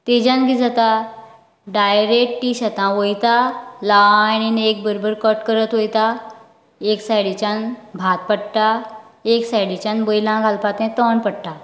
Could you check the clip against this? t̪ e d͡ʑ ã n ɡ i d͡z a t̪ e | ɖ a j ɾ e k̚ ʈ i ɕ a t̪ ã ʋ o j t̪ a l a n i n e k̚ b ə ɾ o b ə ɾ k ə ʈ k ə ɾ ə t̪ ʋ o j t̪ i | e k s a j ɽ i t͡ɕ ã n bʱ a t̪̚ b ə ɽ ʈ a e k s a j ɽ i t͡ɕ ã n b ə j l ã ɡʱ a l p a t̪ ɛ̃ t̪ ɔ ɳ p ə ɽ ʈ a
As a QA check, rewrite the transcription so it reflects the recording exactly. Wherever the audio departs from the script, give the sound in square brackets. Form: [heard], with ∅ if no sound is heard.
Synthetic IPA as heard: t̪ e d͡ʑ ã n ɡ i d͡z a t̪ [a] | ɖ a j ɾ e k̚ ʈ i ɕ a t̪ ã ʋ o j t̪ a l a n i n e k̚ b ə ɾ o b ə ɾ k ə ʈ k ə ɾ ə t̪ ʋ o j t̪ [a] | e k s a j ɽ i t͡ɕ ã n bʱ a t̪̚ [p] ə ɽ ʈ a e k s a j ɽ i t͡ɕ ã n b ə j l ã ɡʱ a l p a t̪ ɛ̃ t̪ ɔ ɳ p ə ɽ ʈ a